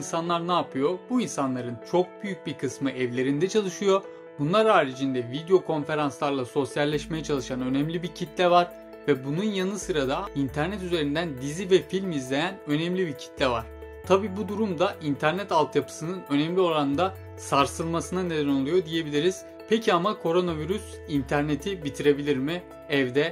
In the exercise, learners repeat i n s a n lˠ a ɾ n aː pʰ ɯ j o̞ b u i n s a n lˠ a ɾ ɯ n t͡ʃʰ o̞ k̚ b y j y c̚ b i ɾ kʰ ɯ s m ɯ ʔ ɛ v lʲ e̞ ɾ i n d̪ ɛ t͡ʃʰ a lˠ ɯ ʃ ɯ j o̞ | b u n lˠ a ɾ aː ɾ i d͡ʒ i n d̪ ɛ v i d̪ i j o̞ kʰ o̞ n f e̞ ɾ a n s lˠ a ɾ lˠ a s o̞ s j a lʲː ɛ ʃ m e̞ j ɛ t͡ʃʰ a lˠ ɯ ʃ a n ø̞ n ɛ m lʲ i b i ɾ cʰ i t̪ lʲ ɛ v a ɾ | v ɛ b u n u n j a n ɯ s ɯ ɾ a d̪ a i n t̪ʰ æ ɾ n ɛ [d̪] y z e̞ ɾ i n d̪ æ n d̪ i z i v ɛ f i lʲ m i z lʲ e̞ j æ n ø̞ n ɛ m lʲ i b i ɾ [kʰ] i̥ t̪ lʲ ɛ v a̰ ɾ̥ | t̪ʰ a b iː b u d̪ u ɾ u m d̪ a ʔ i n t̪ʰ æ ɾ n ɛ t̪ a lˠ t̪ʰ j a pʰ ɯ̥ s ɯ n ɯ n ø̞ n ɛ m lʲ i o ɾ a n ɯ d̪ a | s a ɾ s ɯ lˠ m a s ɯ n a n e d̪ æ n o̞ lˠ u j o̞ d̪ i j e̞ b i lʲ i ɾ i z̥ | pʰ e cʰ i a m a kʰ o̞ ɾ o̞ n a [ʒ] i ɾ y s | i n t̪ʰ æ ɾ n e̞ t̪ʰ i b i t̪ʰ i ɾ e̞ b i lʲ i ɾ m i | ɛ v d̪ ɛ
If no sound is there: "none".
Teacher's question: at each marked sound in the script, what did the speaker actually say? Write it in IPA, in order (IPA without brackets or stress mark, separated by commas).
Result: t̪, cʰ, v